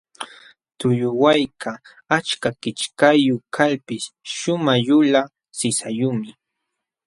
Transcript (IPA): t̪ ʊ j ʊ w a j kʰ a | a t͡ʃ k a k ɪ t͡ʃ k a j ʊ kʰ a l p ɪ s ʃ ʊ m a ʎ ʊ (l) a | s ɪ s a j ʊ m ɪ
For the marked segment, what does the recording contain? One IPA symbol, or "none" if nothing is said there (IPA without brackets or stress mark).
l